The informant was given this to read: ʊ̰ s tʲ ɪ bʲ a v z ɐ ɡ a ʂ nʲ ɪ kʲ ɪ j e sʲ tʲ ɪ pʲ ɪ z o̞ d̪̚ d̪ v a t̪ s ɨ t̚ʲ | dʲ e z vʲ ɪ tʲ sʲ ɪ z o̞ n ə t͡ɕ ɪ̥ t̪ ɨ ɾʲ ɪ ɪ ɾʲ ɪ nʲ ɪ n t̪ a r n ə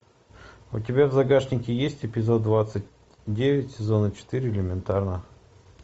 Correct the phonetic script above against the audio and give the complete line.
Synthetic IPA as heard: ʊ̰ tʲ ɪ bʲ a v z ɐ ɡ a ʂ nʲ ɪ kʲ ɪ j e sʲ tʲ ɪ pʲ ɪ z o̞ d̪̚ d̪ v a t̪ s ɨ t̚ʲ | dʲ e vʲ ɪ tʲ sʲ ɪ z o̞ n ə t͡ɕ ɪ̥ t̪ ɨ ɾʲ ɪ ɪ lʲ ɪ mʲ ɪ n t̪ a r n ə